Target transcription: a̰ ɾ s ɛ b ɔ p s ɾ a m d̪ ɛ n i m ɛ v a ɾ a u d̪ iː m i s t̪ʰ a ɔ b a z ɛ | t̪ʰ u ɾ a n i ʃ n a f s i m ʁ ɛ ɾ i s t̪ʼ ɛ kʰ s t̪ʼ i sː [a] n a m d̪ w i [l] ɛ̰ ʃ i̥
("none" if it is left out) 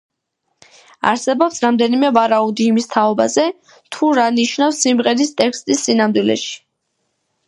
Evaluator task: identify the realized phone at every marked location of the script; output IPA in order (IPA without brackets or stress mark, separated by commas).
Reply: i, l